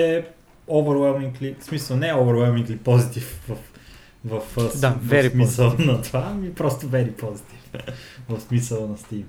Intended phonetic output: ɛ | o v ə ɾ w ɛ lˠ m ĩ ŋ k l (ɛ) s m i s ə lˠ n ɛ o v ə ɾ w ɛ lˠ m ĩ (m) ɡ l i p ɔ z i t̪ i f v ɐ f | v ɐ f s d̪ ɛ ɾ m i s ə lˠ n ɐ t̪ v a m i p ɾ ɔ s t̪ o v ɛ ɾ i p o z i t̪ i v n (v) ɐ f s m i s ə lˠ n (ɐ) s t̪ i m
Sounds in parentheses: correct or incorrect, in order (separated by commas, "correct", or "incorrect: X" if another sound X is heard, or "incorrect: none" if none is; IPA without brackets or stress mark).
incorrect: i, incorrect: ŋ, correct, correct